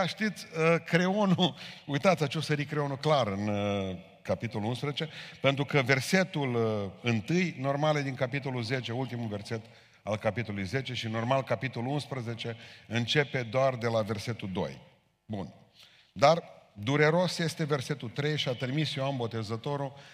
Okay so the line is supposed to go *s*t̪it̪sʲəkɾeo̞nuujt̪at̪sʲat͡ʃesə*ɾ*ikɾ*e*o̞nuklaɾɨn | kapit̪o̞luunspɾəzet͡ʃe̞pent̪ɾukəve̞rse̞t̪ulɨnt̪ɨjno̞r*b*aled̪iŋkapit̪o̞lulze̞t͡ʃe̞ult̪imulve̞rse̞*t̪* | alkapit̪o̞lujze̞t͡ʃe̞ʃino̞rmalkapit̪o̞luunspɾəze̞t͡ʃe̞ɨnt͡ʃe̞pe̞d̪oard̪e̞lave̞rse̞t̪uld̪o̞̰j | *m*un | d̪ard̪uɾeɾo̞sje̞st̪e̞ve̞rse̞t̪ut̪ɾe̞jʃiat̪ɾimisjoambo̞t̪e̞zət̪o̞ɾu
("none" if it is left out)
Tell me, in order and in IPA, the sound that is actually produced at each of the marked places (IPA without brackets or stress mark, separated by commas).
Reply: ʃ, ɾ, e, m, t̪, b